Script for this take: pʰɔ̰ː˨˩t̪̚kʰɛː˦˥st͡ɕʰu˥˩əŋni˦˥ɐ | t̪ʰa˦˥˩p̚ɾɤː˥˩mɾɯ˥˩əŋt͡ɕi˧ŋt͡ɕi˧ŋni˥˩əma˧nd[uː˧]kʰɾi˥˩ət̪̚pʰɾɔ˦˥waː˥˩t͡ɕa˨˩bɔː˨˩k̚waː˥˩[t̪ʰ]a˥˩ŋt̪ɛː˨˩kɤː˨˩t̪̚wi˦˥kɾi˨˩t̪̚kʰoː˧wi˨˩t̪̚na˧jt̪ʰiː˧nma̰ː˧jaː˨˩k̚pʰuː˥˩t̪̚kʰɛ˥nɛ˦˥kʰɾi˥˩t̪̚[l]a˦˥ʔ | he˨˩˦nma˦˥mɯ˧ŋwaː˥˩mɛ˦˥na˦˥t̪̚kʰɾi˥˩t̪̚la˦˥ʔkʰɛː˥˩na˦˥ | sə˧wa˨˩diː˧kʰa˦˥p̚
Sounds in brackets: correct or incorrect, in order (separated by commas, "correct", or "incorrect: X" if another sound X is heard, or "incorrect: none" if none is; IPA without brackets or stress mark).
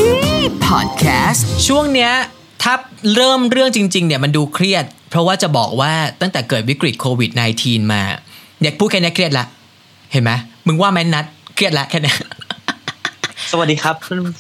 correct, incorrect: t̪, correct